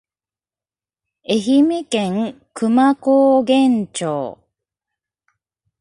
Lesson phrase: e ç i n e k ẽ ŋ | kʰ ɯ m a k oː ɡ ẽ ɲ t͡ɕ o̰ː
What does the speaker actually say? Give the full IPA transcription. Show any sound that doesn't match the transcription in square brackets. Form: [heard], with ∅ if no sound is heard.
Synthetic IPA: e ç i [m] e k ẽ ŋ | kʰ ɯ m a k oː ɡ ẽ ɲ t͡ɕ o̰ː